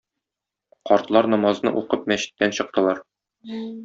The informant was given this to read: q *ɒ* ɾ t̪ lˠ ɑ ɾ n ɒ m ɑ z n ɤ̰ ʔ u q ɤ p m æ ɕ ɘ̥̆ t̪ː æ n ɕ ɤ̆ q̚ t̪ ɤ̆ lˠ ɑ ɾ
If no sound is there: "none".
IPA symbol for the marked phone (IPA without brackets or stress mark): ɒ